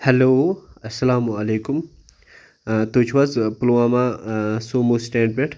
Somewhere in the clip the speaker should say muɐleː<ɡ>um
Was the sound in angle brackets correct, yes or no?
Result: no